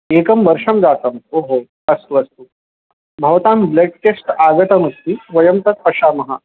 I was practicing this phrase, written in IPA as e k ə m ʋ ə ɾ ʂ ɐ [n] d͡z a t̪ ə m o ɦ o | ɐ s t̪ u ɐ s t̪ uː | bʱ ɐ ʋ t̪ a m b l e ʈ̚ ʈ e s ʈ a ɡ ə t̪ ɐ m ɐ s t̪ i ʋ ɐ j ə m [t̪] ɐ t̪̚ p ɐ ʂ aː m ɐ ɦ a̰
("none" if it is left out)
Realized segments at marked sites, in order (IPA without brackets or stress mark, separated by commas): m, t̪